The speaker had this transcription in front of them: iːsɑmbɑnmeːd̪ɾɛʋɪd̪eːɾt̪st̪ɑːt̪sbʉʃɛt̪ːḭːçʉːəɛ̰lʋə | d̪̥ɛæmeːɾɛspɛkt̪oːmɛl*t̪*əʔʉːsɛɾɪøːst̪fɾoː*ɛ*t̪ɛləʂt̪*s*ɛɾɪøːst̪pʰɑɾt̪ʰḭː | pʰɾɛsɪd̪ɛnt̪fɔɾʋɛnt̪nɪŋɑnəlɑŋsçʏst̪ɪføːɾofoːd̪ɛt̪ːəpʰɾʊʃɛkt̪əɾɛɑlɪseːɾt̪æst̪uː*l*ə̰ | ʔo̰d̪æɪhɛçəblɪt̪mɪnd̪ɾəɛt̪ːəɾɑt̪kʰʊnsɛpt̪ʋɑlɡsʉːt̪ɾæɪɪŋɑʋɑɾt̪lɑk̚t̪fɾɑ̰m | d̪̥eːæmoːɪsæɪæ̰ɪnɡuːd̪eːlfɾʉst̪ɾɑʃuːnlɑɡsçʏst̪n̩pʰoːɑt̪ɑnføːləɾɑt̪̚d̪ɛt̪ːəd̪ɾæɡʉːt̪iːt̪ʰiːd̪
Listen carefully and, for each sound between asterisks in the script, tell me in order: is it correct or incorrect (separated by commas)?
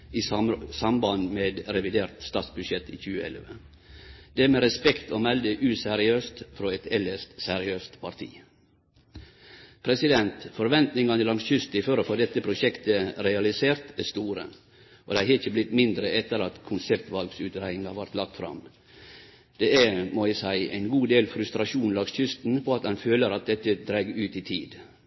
incorrect, correct, correct, incorrect